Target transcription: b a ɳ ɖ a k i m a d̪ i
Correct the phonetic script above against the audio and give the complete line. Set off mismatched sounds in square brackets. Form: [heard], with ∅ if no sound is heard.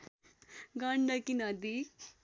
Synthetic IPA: [ɡ] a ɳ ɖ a k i [n] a d̪ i